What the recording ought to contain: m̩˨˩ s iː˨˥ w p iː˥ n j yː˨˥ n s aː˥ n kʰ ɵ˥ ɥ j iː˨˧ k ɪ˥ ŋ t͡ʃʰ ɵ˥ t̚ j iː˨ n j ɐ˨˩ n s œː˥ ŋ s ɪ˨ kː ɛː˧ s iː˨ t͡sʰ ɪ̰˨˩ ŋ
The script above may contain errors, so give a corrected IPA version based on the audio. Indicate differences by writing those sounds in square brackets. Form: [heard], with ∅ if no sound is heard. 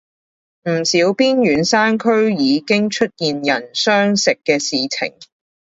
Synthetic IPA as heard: m̩˨˩ s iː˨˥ w p iː˥ n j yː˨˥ n s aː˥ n kʰ ɵ˥ ɥ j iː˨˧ k ɪ˥ ŋ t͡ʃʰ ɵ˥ t̚ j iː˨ n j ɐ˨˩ n s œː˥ ŋ s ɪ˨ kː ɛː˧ s iː˨ t͡sʰ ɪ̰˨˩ ŋ

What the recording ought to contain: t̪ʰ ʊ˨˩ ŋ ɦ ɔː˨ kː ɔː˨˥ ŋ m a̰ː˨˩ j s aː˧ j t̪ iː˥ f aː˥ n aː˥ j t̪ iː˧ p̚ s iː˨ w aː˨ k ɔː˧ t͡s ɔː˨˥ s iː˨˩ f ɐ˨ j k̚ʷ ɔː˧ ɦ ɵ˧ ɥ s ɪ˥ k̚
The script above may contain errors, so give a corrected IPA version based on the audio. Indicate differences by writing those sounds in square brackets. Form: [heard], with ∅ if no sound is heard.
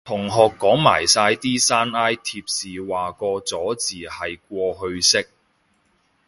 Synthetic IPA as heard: t̪ʰ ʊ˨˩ ŋ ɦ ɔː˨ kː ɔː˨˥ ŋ m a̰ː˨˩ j s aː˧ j t̪ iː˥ [s] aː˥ n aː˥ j [t̪ʰ] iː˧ p̚ s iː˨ w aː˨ k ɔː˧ t͡s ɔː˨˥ [t͡s] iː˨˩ [h] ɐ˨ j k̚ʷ ɔː˧ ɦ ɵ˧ ɥ s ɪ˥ k̚

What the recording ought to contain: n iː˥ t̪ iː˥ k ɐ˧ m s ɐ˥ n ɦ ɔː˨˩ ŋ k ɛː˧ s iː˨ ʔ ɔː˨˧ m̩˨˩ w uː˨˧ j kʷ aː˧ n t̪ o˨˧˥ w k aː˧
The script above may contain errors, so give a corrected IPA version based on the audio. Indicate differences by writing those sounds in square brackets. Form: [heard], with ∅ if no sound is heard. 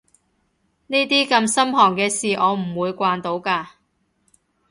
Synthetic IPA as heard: n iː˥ t̪ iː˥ k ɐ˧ m s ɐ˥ [m] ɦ ɔː˨˩ ŋ k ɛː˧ s iː˨ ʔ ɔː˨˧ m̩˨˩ w uː˨˧ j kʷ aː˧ n t̪ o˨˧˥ w k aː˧

